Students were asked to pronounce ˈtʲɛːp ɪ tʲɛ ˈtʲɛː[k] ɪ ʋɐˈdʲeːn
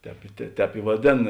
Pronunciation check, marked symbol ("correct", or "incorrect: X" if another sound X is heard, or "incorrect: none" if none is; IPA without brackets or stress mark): incorrect: p